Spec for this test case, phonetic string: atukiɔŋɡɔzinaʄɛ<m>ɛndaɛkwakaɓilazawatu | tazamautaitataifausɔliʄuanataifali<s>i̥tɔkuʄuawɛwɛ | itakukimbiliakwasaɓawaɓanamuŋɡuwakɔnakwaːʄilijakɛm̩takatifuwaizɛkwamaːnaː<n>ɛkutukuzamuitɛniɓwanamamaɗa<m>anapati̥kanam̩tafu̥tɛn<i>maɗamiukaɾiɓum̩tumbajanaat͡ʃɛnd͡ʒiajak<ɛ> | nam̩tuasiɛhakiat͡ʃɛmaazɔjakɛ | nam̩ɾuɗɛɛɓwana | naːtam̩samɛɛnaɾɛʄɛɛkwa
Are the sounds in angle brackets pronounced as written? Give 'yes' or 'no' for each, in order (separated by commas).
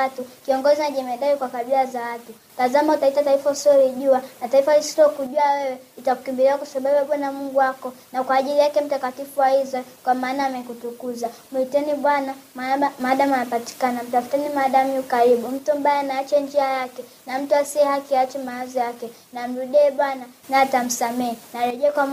yes, yes, no, yes, yes, yes